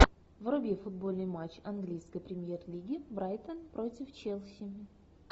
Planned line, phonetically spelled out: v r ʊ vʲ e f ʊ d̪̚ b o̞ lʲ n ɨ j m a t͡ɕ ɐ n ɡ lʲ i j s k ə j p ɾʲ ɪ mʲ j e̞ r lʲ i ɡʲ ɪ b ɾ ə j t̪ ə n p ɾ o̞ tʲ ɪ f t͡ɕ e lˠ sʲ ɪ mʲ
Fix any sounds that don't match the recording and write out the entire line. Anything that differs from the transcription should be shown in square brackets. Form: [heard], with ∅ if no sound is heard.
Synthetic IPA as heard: v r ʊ [bʲ] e f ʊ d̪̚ b o̞ lʲ n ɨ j m a t͡ɕ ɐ n ɡ lʲ i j s k ə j p ɾʲ ɪ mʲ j e̞ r lʲ i ɡʲ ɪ b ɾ [a] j t̪ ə n p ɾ o̞ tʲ ɪ f t͡ɕ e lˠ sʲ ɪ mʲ